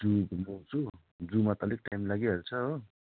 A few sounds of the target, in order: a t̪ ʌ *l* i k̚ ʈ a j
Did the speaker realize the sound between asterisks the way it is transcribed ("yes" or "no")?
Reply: yes